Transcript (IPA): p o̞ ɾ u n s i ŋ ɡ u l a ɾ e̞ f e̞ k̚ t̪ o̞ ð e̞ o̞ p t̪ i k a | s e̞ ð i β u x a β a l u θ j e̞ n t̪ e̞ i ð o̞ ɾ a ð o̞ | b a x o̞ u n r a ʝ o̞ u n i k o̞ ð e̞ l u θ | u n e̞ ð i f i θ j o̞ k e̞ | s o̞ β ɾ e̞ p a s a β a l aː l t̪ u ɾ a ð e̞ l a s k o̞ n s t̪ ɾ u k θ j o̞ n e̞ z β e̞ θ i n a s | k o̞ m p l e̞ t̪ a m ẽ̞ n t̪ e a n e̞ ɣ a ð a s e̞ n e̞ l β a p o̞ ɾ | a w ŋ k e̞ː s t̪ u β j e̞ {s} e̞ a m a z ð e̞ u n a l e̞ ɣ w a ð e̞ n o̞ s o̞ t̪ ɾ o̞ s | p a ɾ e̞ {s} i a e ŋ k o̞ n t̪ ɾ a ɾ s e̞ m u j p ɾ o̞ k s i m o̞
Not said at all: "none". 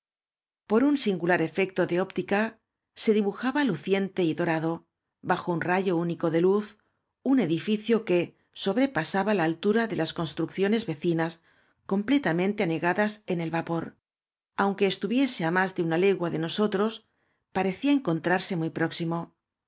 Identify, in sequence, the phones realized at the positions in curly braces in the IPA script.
s, θ

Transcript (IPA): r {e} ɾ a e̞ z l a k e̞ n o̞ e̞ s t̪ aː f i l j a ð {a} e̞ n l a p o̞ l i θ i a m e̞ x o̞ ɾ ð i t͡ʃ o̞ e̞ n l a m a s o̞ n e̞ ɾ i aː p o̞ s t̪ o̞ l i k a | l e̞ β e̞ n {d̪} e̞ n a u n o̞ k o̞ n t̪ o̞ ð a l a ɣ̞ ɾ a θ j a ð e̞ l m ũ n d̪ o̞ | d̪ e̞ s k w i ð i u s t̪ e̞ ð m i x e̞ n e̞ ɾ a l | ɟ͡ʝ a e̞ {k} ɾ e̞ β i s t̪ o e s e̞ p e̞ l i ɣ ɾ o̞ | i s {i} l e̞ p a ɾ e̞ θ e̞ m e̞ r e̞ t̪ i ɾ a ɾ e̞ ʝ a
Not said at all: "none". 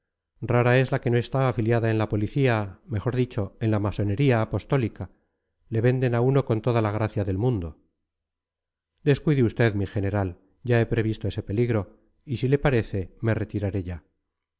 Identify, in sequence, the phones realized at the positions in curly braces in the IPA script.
a, a, d̪, p, i

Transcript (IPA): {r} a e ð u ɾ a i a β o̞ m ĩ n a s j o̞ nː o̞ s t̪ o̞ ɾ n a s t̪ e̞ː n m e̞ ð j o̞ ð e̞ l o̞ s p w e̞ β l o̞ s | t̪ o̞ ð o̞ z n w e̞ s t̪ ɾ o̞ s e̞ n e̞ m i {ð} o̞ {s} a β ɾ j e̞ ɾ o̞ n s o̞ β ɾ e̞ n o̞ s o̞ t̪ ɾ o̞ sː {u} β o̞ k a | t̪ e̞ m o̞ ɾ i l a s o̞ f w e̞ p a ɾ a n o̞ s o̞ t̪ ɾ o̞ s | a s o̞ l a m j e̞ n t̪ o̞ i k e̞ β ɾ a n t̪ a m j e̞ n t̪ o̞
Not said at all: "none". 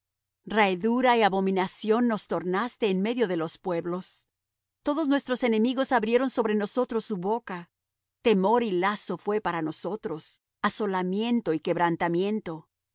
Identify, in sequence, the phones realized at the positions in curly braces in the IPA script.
r, ɣ, s, u

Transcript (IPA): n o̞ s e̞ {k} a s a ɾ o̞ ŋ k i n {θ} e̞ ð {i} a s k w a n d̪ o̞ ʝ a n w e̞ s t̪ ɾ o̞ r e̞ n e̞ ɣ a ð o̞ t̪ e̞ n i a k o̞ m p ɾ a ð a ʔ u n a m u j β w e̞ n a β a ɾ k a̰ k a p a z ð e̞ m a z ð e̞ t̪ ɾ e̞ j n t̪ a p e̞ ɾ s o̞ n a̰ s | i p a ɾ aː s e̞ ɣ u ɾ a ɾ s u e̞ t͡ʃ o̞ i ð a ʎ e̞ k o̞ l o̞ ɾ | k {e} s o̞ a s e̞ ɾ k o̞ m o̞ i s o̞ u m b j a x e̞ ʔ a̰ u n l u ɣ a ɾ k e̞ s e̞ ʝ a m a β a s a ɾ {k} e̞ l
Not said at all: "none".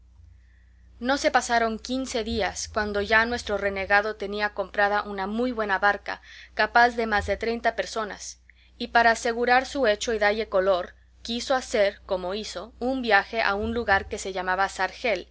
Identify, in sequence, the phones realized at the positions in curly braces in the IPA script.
p, s, i, i, x

